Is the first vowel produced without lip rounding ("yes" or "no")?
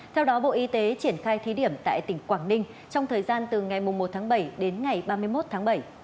yes